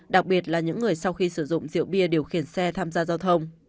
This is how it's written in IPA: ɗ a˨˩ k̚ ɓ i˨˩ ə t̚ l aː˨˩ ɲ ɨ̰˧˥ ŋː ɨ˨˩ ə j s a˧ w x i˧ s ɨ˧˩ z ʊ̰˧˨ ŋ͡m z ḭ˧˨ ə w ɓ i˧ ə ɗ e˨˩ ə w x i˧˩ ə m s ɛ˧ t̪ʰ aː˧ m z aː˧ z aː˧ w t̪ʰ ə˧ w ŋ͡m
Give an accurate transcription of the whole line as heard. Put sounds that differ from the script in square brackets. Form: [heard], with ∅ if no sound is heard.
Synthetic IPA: ɗ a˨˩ k̚ ɓ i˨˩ ə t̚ l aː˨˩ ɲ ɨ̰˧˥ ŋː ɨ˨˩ ə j s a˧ w x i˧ s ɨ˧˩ z ʊ̰˧˨ ŋ͡m z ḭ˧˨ ə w ɓ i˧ ə ɗ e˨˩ ə w x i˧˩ ə [n] s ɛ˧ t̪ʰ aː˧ m z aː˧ z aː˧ w t̪ʰ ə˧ w ŋ͡m